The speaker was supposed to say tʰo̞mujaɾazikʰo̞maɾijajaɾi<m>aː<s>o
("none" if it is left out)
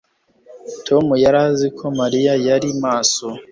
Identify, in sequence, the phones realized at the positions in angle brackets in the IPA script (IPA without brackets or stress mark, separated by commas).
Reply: m, s